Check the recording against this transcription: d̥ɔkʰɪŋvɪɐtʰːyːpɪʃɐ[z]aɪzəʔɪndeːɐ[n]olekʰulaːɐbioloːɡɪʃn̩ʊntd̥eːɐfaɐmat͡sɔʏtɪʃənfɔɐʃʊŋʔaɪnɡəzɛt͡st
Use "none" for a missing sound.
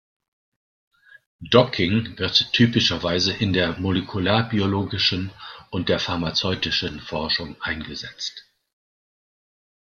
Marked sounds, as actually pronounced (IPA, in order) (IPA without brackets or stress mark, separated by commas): v, m